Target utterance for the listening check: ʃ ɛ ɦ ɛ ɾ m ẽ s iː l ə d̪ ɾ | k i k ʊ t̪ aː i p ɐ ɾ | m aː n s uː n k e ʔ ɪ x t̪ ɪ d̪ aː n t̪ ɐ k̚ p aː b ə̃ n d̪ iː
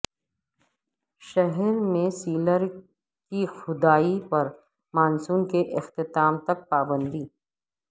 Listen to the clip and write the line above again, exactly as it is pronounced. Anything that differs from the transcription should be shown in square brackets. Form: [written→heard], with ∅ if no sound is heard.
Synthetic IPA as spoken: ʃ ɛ ɦ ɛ ɾ m ẽ s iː l ə [d̪→∅] ɾ | k i [k→x] ʊ [t̪→d̪] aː i p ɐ ɾ | m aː n s uː n k e ʔ ɪ x t̪ ɪ [d̪→t̪] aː [n→m] t̪ ɐ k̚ p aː b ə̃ n d̪ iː